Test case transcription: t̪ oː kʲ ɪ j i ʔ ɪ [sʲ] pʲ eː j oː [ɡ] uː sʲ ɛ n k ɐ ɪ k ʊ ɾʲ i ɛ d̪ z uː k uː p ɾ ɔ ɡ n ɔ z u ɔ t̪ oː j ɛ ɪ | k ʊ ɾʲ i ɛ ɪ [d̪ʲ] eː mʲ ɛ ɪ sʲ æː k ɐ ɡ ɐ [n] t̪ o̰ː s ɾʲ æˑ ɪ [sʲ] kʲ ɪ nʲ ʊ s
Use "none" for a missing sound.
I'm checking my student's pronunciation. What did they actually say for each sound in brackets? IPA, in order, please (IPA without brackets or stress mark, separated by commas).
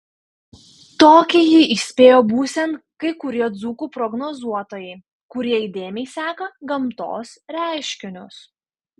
sʲ, b, d̪ʲ, m, ʃʲ